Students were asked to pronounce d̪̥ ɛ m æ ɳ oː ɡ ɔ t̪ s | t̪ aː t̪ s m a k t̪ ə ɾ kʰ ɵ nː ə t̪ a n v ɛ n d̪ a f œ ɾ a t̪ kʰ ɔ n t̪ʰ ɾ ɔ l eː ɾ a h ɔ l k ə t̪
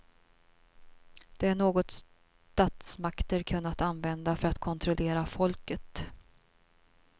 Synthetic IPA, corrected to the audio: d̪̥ ɛ æ ɳ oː ɡ ɔ t̪ s | t̪ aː t̪ s m a k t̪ ə ɾ kʰ ɵ nː a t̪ a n v ɛ n d̪ a f œ ɾ a t̪ kʰ ɔ n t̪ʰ ɾ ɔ l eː ɾ a f ɔ l k ə t̪

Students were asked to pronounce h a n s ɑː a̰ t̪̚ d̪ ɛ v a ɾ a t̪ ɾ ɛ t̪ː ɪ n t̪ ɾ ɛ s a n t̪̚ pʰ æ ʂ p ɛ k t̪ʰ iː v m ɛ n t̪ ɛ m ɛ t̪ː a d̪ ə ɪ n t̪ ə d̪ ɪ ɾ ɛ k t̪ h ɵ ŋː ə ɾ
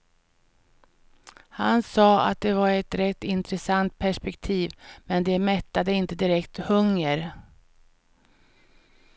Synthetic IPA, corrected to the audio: h a n s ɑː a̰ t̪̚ d̪ ɛ v a ɾ ɛ t̪ ɾ ɛ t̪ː ɪ n t̪ ɾ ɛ s a n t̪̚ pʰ æ ʂ p ɛ k t̪ʰ iː v m ɛ n d̪ ɛ m ɛ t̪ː a d̪ ə ɪ n t̪ ə d̪ ɪ ɾ ɛ k t̪ h ɵ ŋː ə ɾ

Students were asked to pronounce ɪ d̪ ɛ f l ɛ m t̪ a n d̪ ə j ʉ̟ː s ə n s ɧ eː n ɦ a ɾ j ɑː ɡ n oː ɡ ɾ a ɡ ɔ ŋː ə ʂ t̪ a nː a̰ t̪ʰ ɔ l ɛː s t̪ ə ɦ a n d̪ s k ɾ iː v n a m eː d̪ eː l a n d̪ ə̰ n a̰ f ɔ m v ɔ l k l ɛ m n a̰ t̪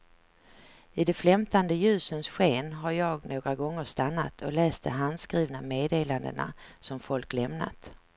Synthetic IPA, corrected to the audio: ɪ d̪ ɛ f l ɛ m t̪ a n d̪ ə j ʉ̟ː s ə n s ɧ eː n ɦ a ɾ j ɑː ɡ n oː ɡ ɾ a ɡ ɔ ŋː ə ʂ t̪ a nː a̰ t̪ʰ ɔ l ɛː s t̪ ə ɦ a n d̪ s k ɾ iː v n a m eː d̪ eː l a n d̪ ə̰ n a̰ s ɔ m f ɔ l k l ɛ m n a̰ t̪

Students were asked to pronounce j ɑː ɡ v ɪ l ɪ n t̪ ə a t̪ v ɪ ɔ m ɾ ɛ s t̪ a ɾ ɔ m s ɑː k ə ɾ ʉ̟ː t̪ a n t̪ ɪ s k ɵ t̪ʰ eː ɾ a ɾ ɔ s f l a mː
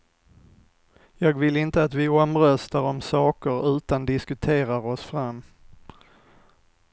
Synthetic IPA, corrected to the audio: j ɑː ɡ v ɪ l ɪ n t̪ ə a t̪ v ɪ ɔ m ɾ œ s t̪ a ɾ ɔ m s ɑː k ə ɾ ʉ̟ː t̪ a n d̪ ɪ s k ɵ t̪ʰ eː ɾ a ɾ ɔ s f ɾ a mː

